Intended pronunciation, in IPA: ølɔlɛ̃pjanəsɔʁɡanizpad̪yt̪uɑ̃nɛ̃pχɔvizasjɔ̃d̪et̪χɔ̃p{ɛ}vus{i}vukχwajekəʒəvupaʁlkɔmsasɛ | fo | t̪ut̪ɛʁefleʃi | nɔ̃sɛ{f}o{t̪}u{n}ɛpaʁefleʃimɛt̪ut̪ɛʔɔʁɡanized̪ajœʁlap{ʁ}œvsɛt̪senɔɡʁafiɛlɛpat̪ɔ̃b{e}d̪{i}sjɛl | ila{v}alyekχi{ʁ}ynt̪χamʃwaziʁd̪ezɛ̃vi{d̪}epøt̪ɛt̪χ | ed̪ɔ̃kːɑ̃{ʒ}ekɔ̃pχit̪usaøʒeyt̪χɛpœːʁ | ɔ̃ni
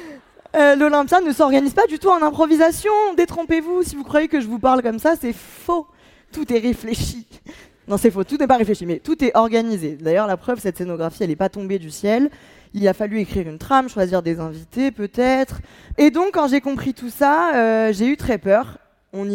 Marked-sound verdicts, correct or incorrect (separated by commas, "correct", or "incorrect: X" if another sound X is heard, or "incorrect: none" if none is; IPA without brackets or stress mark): incorrect: e, correct, correct, correct, correct, incorrect: χ, correct, incorrect: y, incorrect: f, correct, incorrect: t̪, correct